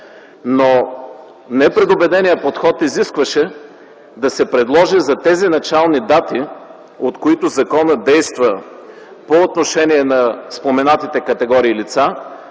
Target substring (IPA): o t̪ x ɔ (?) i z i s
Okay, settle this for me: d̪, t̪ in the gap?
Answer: t̪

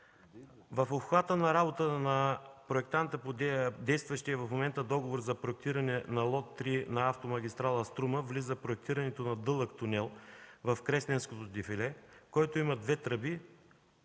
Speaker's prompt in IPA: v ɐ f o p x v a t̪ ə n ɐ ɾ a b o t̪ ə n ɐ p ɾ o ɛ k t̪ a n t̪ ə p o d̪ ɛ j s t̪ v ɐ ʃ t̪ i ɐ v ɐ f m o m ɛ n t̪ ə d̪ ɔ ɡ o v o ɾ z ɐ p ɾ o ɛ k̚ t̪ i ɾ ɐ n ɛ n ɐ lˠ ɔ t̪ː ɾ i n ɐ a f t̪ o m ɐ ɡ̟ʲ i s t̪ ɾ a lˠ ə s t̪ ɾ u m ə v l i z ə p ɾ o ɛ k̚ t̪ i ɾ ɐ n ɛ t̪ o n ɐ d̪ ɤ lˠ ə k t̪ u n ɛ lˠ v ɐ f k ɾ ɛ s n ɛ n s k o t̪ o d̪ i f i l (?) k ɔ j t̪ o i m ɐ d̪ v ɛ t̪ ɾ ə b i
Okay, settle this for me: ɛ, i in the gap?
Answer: ɛ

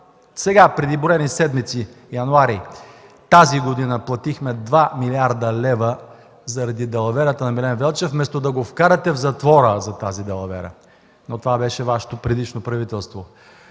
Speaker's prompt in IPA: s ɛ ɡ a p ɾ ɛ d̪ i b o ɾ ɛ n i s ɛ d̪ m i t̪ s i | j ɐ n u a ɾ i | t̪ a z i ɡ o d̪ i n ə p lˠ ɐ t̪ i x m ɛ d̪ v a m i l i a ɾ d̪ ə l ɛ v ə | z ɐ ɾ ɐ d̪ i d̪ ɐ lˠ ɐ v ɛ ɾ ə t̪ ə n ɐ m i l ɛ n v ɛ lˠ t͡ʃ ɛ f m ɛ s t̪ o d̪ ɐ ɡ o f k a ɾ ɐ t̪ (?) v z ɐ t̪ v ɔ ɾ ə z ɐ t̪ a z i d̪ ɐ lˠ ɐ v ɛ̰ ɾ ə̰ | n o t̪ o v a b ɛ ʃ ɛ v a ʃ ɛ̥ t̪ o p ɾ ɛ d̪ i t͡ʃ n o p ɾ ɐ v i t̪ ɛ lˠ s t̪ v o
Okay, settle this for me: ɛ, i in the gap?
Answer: ɛ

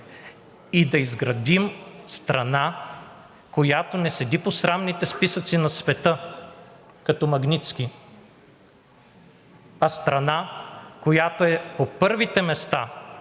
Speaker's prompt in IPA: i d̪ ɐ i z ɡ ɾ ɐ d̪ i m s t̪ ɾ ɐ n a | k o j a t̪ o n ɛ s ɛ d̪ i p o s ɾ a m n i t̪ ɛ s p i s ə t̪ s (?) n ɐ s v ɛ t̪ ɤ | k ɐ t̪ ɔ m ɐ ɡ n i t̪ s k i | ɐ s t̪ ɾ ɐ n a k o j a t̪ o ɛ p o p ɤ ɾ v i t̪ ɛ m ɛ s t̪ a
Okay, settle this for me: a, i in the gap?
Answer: i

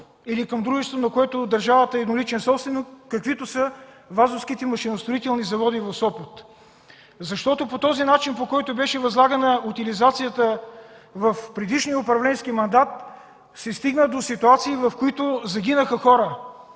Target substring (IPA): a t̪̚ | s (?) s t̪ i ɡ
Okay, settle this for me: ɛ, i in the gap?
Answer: ɛ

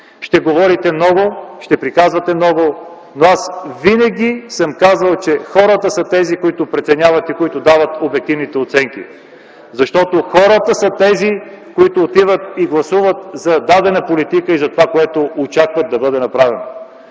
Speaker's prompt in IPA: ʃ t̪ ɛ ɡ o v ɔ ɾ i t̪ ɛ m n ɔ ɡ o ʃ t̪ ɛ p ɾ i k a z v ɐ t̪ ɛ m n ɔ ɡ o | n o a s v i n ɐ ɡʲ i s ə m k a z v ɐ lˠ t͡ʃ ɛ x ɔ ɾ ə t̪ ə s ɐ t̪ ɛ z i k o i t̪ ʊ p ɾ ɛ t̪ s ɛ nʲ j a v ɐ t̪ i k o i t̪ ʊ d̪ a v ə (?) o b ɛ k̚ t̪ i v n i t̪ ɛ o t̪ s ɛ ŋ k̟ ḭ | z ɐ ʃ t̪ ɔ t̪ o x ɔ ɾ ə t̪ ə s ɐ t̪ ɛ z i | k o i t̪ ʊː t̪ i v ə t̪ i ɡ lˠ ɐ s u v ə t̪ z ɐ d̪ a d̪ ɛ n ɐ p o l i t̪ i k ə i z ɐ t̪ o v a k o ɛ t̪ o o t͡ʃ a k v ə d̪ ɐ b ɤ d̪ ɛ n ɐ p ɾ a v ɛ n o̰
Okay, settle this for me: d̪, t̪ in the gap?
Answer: t̪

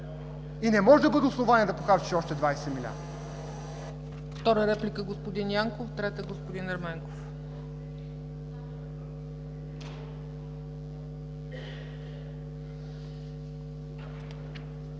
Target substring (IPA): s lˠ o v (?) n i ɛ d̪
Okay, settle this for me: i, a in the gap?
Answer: a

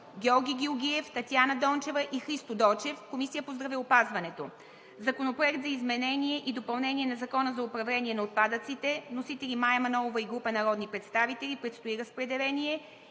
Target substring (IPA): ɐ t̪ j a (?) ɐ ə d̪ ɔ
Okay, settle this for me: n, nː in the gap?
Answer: n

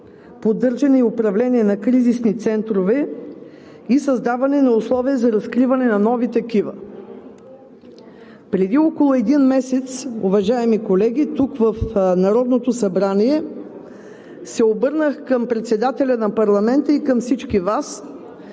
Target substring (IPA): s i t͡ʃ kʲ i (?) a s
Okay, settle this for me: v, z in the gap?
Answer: v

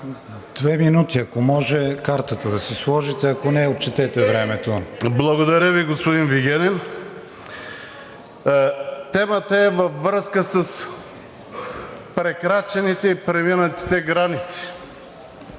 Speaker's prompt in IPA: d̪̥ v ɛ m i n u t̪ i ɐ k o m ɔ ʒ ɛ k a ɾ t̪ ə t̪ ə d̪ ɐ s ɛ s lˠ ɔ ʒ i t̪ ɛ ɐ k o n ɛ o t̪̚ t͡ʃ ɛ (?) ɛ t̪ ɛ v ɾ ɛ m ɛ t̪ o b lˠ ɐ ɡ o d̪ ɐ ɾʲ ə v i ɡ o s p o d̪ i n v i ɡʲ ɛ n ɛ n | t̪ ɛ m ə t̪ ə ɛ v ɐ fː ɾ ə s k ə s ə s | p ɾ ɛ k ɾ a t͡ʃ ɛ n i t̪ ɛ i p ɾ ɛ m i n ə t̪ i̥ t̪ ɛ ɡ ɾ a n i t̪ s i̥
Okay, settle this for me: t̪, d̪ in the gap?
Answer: t̪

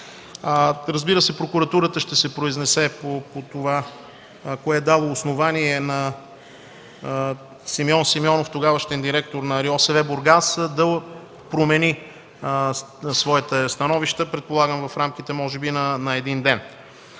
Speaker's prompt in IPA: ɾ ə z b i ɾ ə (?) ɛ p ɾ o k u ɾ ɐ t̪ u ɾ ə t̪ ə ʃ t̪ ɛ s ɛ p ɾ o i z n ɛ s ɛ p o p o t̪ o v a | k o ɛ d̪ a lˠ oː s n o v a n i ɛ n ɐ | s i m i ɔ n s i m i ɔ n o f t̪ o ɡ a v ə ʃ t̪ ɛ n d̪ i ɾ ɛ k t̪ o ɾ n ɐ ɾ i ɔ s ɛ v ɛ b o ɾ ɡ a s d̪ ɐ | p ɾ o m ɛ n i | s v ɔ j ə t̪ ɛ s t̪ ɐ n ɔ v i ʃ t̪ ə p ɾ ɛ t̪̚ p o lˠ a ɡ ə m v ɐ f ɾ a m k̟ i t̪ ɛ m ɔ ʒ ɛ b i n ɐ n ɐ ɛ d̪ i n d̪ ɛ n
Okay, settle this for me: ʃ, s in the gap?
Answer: s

